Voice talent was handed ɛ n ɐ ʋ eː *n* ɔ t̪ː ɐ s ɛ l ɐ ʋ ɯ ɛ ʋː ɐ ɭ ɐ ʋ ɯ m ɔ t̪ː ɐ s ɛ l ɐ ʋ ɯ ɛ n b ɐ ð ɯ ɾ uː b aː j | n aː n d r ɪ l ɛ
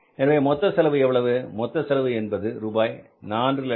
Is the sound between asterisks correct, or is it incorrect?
incorrect